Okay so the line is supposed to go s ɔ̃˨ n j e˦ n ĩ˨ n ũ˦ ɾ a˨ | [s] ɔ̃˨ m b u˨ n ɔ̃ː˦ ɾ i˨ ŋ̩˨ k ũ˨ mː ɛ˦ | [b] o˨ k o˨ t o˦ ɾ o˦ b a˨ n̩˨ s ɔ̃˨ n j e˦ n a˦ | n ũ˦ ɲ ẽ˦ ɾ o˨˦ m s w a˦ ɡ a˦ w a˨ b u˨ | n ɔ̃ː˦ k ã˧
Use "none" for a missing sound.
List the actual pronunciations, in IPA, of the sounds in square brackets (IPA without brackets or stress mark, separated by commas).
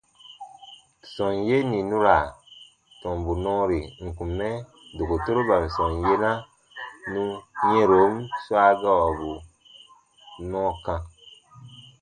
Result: t, d